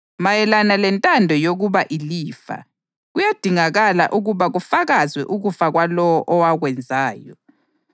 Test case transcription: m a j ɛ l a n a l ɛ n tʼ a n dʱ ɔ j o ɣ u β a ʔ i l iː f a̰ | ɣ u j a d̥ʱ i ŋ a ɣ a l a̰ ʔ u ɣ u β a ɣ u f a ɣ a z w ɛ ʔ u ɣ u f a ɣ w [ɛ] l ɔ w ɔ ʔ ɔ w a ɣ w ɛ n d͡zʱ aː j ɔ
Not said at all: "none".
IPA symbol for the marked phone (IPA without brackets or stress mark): a